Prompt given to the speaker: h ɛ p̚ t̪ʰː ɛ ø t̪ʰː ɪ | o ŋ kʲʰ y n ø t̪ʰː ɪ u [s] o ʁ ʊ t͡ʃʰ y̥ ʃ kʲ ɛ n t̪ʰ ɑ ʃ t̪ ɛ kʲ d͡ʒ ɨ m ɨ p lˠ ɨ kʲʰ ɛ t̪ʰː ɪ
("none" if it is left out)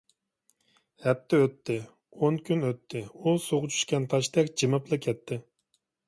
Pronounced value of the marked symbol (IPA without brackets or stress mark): s